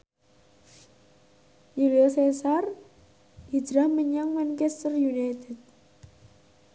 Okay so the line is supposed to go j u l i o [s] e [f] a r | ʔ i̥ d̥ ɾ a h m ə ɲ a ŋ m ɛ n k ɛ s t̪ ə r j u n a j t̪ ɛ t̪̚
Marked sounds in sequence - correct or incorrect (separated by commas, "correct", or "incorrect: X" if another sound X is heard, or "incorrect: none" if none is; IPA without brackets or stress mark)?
correct, incorrect: s